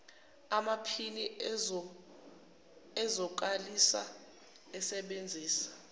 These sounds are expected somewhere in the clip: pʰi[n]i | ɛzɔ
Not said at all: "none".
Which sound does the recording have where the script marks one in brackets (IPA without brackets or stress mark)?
n